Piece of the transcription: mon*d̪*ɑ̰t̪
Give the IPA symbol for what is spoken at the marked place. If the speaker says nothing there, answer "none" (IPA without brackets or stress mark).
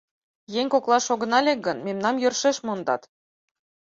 d̪